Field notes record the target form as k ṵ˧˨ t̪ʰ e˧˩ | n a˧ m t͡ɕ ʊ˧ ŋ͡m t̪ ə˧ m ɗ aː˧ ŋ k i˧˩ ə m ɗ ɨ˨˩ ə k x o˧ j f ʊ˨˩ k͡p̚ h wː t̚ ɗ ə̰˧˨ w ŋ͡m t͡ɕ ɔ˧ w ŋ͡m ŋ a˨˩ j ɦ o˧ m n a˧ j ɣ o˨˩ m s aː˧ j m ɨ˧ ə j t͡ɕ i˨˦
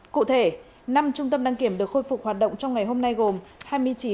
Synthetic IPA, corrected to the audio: k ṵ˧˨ t̪ʰ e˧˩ | n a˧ m t͡ɕ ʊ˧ ŋ͡m t̪ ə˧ m ɗ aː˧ ŋ k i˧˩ ə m ɗ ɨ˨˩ ə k x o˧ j f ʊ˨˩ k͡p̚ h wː t̚ ɗ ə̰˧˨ w ŋ͡m t͡ɕ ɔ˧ w ŋ͡m ŋ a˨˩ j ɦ o˧ m n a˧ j ɣ o˨˩ m h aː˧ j m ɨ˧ ə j t͡ɕ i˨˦